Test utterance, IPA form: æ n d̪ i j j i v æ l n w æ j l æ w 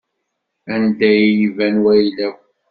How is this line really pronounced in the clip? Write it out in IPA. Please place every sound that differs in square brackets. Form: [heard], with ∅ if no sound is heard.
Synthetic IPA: æ n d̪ [æ] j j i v æ [∅] n w æ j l æ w